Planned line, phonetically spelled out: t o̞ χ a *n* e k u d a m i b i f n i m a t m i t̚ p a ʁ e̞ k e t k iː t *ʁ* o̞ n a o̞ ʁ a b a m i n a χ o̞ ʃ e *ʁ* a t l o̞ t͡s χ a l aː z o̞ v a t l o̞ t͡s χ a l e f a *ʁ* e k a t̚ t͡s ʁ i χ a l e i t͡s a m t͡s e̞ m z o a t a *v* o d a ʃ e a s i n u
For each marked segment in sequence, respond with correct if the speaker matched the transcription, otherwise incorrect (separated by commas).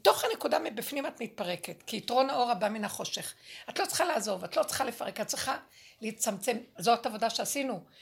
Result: correct, correct, incorrect, correct, correct